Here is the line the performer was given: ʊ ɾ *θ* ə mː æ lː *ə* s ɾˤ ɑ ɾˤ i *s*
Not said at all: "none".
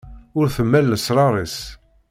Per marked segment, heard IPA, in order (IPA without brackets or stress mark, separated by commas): θ, ə, s